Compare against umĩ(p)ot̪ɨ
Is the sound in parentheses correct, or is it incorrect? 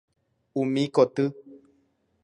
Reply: incorrect